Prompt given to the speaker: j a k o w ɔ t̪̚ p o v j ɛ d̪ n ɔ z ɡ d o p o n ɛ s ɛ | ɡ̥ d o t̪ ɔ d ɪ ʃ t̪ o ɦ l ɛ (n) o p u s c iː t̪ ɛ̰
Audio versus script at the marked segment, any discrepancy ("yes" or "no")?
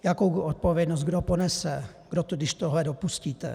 yes